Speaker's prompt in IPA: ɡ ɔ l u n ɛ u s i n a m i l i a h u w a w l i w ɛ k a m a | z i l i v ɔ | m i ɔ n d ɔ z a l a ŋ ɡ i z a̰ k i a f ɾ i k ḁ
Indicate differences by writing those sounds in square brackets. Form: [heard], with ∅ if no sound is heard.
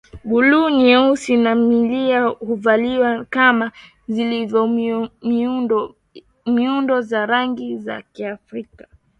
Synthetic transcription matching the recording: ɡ [u] l u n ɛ u s i n a m i l i a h u [v] a [∅] l i w [a] k a m a | z i l i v ɔ | m i [u] n d ɔ z a [ɾ] a ŋ ɡ i z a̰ k i a f ɾ i k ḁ